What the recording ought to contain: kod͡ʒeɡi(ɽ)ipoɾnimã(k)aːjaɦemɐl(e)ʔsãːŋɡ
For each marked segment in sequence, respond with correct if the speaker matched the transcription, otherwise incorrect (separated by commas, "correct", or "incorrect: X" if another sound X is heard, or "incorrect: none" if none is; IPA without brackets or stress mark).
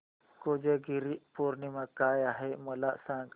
incorrect: ɾ, correct, incorrect: a